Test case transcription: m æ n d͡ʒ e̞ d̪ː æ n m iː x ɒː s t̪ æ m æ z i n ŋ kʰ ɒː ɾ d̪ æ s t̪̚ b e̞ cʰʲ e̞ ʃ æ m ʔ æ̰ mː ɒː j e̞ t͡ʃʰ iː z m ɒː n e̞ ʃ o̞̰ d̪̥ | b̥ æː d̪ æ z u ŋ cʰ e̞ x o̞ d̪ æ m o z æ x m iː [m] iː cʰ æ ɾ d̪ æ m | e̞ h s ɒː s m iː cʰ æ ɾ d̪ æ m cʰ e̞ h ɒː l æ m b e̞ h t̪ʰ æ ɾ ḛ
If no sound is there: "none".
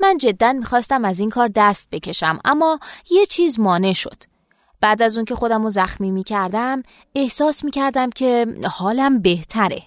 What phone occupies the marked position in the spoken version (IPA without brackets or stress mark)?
m